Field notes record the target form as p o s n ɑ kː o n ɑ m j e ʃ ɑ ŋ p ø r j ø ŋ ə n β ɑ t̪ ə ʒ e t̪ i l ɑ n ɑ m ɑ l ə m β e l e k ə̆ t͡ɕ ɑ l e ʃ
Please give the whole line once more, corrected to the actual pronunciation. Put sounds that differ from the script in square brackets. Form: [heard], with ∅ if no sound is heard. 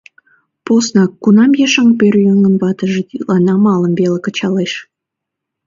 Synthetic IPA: p o s n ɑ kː [u] n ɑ m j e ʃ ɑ ŋ p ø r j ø ŋ ə n β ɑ t̪ ə ʒ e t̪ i l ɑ n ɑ m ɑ l ə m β e l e k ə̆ t͡ɕ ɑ l e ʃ